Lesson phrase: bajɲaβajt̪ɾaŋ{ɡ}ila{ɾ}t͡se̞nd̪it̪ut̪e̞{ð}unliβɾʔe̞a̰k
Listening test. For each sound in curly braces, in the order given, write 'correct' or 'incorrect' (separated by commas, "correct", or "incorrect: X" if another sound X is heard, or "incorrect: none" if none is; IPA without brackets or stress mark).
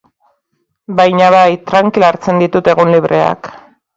incorrect: k, correct, incorrect: ɣ